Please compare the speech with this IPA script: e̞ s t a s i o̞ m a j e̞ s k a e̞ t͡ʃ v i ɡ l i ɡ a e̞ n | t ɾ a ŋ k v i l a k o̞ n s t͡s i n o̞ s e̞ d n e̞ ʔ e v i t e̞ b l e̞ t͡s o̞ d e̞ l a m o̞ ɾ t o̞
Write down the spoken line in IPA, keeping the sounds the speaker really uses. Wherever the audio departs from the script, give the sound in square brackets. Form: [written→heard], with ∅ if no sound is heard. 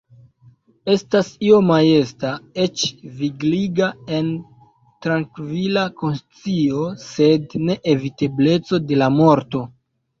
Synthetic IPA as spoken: e̞ s t a s i o̞ m a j e̞ s [k→t] a e̞ t͡ʃ v i ɡ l i ɡ a e̞ n | t ɾ a ŋ k v i l a k o̞ n s t͡s i [n→∅] o̞ s e̞ d n e̞ ʔ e v i t e̞ b l e̞ t͡s o̞ d e̞ l a m o̞ ɾ t o̞